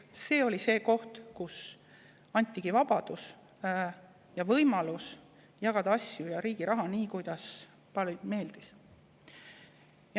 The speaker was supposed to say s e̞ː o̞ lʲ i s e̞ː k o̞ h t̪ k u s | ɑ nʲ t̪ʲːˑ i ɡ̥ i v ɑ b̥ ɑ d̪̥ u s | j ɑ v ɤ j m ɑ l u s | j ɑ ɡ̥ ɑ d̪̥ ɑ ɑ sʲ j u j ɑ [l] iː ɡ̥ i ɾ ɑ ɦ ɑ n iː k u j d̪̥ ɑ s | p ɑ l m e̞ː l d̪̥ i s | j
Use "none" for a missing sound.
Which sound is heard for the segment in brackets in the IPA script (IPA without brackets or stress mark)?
ɾ